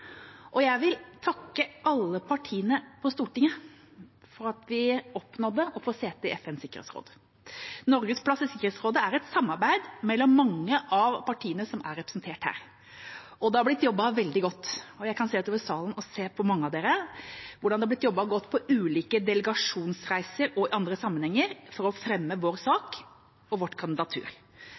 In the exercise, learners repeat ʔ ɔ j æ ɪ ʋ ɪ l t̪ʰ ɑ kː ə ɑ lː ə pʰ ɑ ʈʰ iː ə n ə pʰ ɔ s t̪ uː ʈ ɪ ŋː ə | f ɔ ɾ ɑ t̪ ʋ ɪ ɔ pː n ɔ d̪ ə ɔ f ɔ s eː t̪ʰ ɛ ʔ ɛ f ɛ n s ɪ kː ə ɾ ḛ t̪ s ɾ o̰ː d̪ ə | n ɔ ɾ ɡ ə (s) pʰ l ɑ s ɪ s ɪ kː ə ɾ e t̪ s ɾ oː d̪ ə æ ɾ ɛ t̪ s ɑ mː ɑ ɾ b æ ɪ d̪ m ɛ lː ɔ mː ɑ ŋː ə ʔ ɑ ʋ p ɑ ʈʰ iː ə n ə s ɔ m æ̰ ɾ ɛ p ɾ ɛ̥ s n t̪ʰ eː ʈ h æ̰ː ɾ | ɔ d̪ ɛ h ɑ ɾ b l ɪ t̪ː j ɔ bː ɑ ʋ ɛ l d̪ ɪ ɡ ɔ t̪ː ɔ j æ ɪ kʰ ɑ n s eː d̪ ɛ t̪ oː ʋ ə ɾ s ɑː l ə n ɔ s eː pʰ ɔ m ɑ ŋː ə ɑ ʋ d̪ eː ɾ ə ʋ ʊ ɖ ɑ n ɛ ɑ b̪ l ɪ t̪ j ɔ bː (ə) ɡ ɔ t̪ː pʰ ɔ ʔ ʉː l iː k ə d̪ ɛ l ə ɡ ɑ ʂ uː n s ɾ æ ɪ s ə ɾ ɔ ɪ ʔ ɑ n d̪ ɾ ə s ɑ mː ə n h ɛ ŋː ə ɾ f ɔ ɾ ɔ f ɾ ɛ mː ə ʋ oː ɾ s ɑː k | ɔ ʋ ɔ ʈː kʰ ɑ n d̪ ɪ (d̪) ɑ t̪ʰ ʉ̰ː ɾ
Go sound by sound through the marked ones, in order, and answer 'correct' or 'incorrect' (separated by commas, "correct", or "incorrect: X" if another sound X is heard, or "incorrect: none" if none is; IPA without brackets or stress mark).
correct, incorrect: ɑ, correct